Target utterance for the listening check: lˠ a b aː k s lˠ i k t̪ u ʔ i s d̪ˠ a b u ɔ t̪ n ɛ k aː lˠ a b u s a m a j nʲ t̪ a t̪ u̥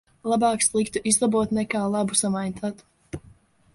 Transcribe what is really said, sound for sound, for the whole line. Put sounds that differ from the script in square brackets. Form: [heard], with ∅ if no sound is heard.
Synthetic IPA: lˠ a b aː k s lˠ i k t̪ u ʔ i [z] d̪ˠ a b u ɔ t̪ n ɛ k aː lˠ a b u s a m a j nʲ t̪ a t̪ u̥